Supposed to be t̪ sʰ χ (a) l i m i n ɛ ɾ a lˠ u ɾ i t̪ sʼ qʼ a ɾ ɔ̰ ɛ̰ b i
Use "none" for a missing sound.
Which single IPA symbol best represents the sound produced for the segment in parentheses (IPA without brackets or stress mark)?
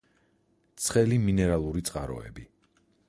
ɛ